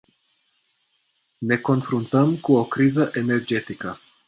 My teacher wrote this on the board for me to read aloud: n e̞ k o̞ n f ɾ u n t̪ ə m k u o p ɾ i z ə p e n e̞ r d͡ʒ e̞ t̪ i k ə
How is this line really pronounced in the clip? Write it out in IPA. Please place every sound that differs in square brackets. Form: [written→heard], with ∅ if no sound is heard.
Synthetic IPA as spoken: n e̞ k o̞ n f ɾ u n t̪ ə m k u o [p→k] ɾ i z ə [p→ʔ] e n e̞ r d͡ʒ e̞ t̪ i k ə